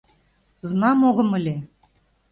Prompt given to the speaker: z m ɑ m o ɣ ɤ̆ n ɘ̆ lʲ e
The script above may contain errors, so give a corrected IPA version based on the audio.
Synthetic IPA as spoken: z n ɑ m o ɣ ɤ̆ m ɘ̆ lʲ e